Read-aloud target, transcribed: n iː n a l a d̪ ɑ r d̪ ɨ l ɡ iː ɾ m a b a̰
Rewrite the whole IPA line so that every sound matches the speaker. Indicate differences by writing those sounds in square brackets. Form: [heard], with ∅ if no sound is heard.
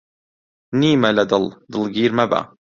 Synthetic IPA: n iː [m] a l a d̪ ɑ [l] d̪ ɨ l ɡ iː ɾ m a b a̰